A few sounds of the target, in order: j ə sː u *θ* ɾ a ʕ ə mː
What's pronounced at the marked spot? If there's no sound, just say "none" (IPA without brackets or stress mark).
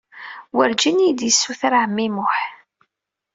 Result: θ